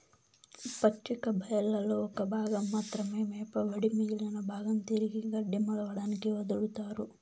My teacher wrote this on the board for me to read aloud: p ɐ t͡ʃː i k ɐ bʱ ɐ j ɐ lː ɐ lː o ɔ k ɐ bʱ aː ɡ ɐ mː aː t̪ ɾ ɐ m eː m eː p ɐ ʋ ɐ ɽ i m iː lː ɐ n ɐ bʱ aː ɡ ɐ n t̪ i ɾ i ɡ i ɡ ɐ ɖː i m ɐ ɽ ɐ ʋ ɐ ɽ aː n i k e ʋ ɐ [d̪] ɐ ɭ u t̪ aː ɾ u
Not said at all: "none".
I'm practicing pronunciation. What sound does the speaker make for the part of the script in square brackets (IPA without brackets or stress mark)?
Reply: d̪